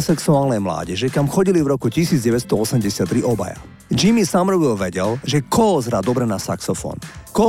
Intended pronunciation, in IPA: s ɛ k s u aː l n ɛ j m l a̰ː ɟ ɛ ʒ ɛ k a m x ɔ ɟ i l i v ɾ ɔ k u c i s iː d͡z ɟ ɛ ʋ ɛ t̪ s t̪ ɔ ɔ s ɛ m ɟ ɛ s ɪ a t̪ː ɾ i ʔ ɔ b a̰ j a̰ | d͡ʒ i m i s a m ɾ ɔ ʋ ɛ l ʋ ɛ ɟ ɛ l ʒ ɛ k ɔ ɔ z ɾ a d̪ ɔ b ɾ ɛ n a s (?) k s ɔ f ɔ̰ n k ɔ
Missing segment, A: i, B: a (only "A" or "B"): B